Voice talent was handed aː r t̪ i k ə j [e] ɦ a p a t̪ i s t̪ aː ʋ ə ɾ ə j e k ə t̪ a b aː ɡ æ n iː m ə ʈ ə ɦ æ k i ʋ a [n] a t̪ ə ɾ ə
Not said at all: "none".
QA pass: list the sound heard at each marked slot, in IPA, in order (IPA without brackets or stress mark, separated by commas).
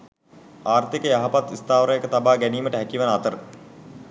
a, n